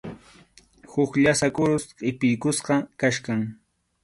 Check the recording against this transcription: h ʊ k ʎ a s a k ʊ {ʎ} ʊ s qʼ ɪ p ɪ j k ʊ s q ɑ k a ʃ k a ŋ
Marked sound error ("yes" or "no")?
yes